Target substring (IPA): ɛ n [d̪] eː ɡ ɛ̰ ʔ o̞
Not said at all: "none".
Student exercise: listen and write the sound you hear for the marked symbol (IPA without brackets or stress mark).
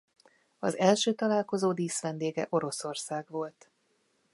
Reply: d̪